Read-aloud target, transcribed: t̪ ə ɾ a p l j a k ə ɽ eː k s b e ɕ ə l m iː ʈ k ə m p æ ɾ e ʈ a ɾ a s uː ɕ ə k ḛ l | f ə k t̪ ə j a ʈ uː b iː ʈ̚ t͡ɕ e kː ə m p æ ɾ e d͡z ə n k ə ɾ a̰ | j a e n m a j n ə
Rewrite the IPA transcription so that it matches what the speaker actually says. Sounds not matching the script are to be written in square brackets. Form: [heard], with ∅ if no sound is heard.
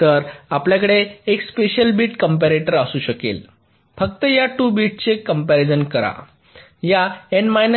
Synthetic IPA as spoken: t̪ ə ɾ a p l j a k ə ɽ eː k s [p] e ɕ ə l [b] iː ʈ k ə m p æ ɾ e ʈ [ə] ɾ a s uː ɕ ə k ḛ l | f ə k t̪ ə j a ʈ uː b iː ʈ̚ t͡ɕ e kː ə m p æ ɾ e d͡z ə n k ə ɾ a̰ | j a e n m a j n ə

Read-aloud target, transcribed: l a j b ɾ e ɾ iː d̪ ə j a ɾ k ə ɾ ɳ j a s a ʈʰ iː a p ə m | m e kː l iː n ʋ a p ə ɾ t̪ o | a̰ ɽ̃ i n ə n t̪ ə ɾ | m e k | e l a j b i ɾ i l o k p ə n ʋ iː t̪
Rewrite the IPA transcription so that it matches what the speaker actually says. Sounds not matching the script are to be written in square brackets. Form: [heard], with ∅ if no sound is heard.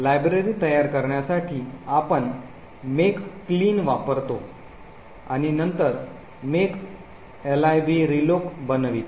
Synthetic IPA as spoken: l a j b ɾ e ɾ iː [t̪] ə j a ɾ k ə ɾ ɳ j a s a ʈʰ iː a p ə [ɳ] | m e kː l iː n ʋ a p ə ɾ t̪ o | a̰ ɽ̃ i n ə n t̪ ə ɾ | m e k | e l a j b i ɾ i l o k [b] ə n ʋ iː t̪

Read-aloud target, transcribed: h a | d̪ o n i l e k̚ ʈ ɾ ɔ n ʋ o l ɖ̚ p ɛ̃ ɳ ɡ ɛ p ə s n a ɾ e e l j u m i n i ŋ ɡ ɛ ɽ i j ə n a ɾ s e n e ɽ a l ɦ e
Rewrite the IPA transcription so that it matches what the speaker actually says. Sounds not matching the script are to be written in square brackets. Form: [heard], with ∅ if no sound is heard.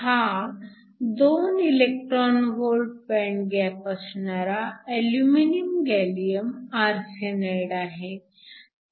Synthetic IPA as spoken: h a | d̪ o n i l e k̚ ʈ ɾ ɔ n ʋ o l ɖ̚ p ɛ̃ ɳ ɡ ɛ p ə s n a ɾ [a] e l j u m i n i [m] ɡ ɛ [l] i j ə [m] a ɾ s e n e ɽ a [∅] ɦ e

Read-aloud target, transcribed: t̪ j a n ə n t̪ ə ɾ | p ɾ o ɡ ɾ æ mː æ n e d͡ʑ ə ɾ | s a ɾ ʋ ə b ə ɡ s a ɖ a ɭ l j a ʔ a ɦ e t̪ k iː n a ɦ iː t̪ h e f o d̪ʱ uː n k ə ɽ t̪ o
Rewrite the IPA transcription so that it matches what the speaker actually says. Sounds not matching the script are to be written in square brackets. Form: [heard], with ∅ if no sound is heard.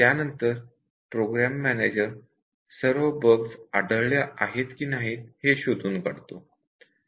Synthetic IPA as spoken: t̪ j a n ə n t̪ ə ɾ | p ɾ o ɡ ɾ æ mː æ n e d͡ʑ ə ɾ | s [ə] ɾ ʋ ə b ə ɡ s a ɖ [ə] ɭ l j a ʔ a ɦ e t̪ k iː n a ɦ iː t̪ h e [ɕ] o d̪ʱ uː n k ə ɽ t̪ o

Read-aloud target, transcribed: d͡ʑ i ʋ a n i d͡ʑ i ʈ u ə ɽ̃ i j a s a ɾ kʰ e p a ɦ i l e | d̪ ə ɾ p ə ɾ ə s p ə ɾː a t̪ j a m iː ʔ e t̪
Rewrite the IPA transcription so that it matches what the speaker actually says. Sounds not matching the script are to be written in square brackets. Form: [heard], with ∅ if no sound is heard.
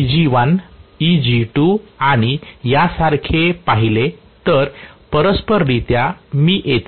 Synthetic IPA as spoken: d͡ʑ i ʋ a n i d͡ʑ i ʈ u [a] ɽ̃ i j a s a ɾ kʰ e p a ɦ i l e | [t̪] ə ɾ p ə ɾ ə s p ə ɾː [i] t̪ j a m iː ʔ e t̪

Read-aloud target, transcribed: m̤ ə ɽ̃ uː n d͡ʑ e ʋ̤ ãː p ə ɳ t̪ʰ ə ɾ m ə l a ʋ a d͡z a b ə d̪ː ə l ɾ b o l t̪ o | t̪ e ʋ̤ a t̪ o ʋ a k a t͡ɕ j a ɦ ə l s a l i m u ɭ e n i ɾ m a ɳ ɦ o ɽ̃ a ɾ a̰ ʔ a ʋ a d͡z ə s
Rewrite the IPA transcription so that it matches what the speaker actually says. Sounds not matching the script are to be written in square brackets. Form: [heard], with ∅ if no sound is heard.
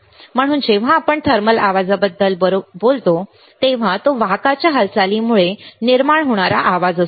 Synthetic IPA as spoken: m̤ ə ɽ̃ uː n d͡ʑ e ʋ̤ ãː p ə ɳ t̪ʰ ə ɾ m ə l a ʋ a d͡z a b ə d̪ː ə l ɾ b o l t̪ o | t̪ e ʋ̤ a t̪ o ʋ a k a t͡ɕ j a ɦ ə l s a l i m u ɭ e n i ɾ m a ɳ ɦ o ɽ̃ a ɾ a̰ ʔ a ʋ a d͡z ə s

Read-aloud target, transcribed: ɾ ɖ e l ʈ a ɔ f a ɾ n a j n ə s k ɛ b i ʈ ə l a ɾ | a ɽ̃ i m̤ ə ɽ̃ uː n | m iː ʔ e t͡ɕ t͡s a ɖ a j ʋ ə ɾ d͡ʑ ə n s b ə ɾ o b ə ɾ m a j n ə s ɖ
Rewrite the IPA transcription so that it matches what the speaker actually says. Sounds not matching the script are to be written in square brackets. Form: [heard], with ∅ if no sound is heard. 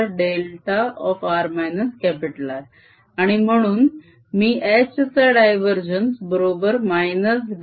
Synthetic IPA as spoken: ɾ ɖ e l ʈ a ɔ f a ɾ [m] a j n ə s k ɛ [p] i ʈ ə l a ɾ | a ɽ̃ i m̤ ə ɽ̃ uː n | m iː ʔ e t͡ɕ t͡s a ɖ a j ʋ ə ɾ d͡ʑ ə n s b ə ɾ o b ə ɾ m a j n ə s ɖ

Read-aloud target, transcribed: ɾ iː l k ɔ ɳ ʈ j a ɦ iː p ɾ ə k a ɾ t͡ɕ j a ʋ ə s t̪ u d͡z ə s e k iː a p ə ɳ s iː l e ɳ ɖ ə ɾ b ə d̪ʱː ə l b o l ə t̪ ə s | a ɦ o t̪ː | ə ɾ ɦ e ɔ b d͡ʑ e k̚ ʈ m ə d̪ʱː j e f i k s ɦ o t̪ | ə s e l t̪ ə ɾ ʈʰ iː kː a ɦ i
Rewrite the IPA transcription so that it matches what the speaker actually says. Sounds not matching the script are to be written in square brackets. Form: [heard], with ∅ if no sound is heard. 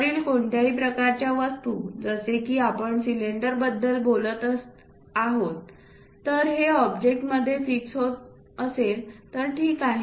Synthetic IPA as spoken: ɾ iː l k [o] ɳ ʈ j a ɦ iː p ɾ ə k a ɾ t͡ɕ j a ʋ ə s t̪ u d͡z ə s e k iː a p ə ɳ s [i] l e ɳ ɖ ə ɾ b ə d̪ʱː ə l b o l ə t̪ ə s | a ɦ o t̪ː | ə ɾ ɦ e ɔ b d͡ʑ e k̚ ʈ m ə d̪ʱː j e f i k s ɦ o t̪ | ə s e l t̪ ə ɾ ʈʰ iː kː a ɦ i

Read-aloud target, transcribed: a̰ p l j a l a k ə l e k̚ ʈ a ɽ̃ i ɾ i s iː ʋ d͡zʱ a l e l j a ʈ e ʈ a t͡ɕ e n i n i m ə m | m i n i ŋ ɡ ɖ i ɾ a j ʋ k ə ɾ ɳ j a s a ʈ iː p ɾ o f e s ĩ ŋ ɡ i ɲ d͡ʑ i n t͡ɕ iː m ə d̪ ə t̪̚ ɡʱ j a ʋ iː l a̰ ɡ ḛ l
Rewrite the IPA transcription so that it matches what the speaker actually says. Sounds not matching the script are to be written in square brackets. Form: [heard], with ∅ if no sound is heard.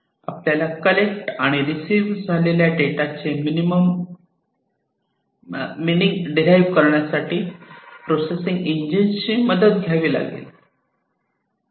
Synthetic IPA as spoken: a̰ p l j a l a k ə l e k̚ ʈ a ɽ̃ i ɾ i s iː ʋ d͡zʱ a l e l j a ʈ e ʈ a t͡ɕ e [m] i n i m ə m | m i n i ŋ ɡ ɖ i ɾ a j ʋ k ə ɾ ɳ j a s a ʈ iː p ɾ o [s] e s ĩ ŋ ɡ i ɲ d͡ʑ i n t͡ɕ iː m ə d̪ ə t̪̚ ɡʱ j a ʋ iː l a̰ ɡ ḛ l

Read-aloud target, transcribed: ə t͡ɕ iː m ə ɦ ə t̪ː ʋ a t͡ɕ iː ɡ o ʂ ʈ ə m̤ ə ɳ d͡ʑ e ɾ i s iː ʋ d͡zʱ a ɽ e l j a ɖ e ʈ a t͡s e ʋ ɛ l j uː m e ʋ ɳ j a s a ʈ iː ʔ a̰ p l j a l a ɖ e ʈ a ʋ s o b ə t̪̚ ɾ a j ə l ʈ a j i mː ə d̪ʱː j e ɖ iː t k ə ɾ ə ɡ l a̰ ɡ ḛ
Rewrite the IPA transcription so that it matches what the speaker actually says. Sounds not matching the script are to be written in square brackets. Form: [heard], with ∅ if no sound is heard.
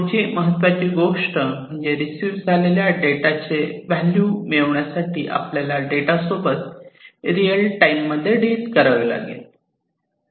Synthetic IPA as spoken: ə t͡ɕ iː m ə ɦ ə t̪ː ʋ a t͡ɕ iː ɡ o ʂ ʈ ə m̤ ə ɳ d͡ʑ e ɾ i s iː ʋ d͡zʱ a [l] e l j a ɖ e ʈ a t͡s e ʋ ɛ l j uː m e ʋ ɳ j a s a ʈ iː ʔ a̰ p l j a l a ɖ e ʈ a [∅] s o b ə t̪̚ ɾ [i] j ə l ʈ a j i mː ə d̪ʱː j e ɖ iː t k ə ɾ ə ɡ l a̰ ɡ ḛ

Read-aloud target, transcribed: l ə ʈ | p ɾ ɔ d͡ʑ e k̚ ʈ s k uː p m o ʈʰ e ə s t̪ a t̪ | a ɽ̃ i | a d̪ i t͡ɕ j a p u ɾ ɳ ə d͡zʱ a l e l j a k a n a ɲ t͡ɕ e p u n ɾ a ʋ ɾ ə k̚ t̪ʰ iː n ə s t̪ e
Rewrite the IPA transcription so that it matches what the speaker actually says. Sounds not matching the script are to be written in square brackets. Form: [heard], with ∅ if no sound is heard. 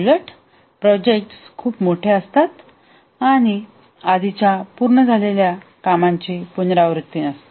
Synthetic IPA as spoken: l ə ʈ | p ɾ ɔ d͡ʑ e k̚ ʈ s [kʰ] uː p m o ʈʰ e ə s t̪ a t̪ | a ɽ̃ i | a d̪ i t͡ɕ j a p u ɾ ɳ ə d͡zʱ a l e l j a k a [m] a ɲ t͡ɕ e p u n ɾ a ʋ ɾ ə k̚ [t̪] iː n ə s t̪ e

